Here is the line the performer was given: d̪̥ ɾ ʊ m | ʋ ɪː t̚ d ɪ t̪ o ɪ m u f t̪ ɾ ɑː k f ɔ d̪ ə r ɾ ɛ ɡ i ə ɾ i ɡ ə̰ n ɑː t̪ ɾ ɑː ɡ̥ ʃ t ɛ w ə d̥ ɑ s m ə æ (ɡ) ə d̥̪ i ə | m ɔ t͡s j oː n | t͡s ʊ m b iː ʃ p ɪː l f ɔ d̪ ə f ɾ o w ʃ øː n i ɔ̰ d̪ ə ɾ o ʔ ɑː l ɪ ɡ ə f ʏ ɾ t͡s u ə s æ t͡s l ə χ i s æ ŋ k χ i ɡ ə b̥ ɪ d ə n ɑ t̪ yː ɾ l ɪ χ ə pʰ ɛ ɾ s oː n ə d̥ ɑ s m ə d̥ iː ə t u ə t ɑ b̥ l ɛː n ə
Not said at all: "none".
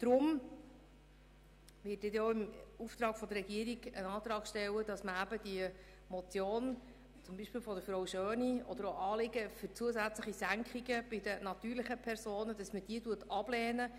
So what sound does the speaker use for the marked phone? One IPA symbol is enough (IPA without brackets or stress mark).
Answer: b